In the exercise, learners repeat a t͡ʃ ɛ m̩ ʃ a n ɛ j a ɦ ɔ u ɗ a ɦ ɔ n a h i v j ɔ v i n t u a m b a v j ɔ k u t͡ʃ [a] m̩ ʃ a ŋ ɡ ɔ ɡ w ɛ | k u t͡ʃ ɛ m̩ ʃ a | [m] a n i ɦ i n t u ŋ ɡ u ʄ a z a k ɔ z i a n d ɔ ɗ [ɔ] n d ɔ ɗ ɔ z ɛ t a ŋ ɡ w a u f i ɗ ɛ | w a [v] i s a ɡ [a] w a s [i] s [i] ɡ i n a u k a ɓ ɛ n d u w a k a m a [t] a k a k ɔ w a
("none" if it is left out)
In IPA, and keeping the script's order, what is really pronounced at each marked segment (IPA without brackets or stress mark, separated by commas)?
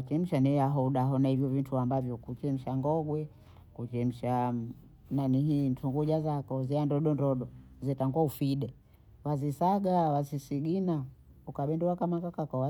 ɛ, n, ɔ, z, a, i, i, k